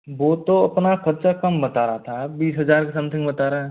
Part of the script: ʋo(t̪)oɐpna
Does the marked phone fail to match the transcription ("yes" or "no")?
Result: no